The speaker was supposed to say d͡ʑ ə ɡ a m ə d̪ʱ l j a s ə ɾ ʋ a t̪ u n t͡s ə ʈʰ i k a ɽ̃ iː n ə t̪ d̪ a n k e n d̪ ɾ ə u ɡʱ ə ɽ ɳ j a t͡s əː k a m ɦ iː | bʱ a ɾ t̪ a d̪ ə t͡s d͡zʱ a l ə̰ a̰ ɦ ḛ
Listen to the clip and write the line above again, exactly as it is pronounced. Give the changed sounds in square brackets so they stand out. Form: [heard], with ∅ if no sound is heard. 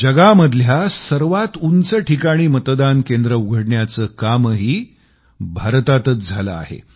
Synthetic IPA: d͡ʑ ə ɡ a m ə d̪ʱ l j a s ə ɾ ʋ a t̪ u n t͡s ə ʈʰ i k a ɽ̃ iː [m] ə t̪ d̪ a n k e n d̪ ɾ ə u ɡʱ ə ɽ ɳ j a t͡s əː k a m ɦ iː | bʱ a ɾ t̪ a [t̪] ə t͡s d͡zʱ a l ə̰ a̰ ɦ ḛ